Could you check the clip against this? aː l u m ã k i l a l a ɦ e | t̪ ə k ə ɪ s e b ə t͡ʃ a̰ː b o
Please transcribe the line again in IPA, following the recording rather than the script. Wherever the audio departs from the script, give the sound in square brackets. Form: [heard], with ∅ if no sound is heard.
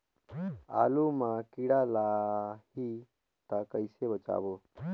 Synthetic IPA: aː l u m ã k i [ɽ] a l a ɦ [i] | t̪ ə k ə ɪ s e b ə t͡ʃ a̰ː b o